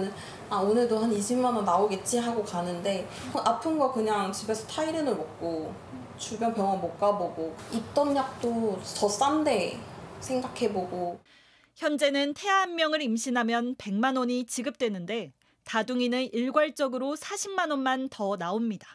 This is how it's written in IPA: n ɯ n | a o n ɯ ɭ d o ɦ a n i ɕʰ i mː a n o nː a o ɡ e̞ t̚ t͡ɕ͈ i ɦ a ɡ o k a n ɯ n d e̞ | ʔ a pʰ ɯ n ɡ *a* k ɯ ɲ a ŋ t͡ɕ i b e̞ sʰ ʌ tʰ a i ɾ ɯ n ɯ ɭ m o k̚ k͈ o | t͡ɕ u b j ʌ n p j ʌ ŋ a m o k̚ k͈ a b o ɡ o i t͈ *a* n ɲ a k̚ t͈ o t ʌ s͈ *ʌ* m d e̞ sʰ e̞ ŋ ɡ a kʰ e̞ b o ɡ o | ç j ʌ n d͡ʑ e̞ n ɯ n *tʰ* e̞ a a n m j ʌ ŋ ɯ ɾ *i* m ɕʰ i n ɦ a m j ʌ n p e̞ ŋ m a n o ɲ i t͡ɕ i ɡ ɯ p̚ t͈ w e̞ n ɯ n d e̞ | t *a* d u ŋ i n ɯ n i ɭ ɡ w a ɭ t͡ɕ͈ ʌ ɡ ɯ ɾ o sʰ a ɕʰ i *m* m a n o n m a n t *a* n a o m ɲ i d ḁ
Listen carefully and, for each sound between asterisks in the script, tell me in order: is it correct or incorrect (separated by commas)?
incorrect, incorrect, incorrect, correct, correct, correct, correct, incorrect